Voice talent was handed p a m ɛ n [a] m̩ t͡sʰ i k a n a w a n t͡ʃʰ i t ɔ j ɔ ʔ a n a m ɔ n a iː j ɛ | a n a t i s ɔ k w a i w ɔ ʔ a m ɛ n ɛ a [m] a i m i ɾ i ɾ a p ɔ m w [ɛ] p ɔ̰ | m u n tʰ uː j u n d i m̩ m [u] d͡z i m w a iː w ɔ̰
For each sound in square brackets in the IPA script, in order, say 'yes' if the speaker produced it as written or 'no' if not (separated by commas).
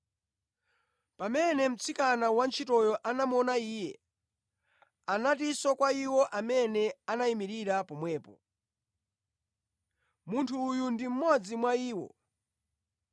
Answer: no, no, no, no